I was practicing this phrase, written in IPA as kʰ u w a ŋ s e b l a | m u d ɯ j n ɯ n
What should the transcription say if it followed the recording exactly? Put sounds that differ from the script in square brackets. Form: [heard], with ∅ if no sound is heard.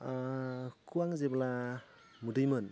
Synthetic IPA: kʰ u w a ŋ [z] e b l a | m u d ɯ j [m] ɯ n